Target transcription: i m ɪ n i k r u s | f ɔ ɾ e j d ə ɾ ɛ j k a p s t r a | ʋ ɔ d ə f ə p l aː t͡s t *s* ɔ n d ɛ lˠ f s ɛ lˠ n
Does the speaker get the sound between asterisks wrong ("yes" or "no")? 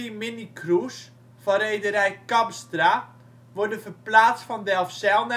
yes